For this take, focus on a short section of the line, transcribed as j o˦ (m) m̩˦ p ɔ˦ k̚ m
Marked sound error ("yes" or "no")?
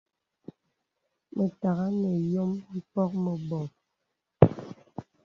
no